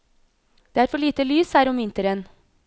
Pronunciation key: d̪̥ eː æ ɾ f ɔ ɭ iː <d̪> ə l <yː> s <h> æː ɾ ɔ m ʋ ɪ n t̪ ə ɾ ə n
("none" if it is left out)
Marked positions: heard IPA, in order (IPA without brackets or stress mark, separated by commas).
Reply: t̪, yː, h